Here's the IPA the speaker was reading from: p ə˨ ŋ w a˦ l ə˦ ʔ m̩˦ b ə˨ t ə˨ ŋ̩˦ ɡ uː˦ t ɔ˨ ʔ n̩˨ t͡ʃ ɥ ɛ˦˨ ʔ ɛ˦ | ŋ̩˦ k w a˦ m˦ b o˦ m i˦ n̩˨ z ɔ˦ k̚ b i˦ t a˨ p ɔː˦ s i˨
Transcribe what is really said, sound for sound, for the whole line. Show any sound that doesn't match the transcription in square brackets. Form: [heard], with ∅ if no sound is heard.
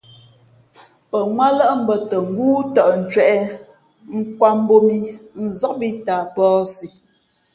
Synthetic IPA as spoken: p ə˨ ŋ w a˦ l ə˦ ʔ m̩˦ b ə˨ t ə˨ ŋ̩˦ ɡ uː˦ t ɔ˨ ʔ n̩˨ t͡ʃ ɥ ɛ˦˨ ʔ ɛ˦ | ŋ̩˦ k w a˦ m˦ b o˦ m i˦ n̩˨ z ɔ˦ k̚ b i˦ t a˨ p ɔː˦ s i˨